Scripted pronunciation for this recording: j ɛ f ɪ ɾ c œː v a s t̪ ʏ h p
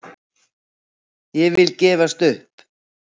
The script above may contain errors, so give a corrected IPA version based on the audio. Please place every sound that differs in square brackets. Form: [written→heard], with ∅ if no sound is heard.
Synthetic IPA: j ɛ [f→v] ɪ [ɾ→l] c [œː→ɛː] v a s t̪ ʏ h p